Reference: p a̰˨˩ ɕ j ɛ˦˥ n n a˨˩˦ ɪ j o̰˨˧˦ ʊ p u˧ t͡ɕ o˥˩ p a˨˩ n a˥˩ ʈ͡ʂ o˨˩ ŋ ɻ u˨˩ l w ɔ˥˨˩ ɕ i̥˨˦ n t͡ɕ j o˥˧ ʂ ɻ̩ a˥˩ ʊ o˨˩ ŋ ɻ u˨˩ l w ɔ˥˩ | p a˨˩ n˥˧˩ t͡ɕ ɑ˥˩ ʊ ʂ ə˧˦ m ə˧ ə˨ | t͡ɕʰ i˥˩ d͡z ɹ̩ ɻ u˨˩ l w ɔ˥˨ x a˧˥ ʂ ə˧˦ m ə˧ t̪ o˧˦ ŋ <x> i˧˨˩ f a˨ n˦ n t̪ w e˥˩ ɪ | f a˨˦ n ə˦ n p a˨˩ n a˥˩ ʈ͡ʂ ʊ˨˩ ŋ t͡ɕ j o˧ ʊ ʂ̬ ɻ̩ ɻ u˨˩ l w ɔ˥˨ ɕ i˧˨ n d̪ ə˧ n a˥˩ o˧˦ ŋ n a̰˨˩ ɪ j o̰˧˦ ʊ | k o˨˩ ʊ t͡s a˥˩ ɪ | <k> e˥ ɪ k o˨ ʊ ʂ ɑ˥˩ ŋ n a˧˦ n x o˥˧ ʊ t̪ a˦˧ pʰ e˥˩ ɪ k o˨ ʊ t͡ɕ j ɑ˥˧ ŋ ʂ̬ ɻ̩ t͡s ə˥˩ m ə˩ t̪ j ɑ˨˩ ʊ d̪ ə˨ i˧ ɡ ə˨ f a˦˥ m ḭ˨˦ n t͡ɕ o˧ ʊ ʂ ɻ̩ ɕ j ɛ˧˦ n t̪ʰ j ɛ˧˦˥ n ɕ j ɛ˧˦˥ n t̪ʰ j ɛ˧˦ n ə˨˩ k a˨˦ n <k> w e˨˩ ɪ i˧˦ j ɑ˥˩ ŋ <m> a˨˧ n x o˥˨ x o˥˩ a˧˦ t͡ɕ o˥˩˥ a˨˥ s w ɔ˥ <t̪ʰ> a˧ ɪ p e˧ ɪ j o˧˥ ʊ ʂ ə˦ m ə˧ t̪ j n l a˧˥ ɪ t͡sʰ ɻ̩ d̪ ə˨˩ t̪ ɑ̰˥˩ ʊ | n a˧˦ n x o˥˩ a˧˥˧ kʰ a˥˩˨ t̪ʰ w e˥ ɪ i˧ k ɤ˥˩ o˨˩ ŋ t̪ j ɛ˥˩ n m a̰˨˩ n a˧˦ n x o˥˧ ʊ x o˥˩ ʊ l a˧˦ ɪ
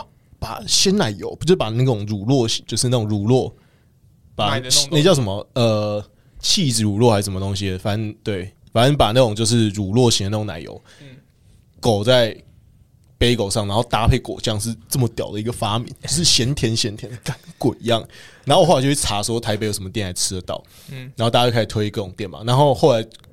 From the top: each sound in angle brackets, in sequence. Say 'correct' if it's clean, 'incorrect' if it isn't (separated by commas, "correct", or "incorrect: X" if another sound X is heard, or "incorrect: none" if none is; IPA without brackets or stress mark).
incorrect: ɕ, incorrect: p, correct, incorrect: n, correct